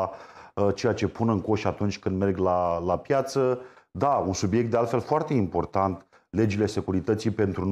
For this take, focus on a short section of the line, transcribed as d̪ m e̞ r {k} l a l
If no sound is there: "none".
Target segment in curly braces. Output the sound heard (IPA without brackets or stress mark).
ɡ